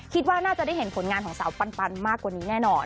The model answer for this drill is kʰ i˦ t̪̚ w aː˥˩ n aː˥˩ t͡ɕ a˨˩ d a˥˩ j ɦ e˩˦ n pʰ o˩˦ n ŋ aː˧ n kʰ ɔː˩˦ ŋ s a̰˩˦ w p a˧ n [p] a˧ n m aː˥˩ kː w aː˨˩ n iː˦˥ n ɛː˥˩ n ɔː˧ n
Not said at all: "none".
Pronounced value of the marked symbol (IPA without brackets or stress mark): p